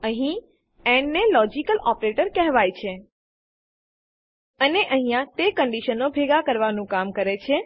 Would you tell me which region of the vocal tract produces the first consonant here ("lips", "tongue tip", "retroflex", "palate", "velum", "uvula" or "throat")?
throat